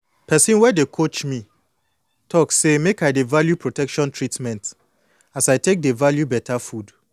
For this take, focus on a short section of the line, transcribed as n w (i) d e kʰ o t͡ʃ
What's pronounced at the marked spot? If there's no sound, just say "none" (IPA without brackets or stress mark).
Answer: ɛ